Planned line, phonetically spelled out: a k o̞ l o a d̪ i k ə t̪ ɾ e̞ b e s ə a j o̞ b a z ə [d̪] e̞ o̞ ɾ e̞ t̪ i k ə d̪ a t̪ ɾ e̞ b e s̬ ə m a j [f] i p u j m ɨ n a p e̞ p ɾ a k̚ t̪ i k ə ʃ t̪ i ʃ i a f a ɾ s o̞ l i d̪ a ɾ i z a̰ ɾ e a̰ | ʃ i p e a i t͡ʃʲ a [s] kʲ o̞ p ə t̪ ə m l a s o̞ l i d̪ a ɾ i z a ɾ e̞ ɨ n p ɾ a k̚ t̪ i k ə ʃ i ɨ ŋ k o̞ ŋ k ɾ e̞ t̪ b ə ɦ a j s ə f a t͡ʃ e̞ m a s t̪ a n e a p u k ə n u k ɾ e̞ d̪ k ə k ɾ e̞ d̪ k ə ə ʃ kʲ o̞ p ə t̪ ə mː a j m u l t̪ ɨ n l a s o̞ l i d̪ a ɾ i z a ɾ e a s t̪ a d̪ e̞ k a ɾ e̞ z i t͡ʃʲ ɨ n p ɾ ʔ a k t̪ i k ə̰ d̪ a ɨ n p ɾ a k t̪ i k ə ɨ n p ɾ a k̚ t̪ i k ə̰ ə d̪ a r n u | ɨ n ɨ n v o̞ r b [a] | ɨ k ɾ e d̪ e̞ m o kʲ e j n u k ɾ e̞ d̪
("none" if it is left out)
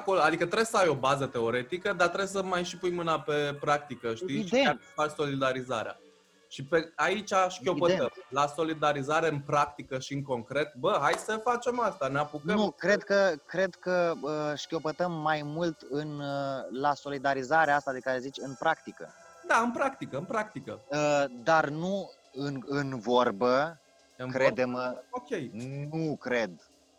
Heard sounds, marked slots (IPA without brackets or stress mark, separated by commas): t̪, ʃ, ʃ, ə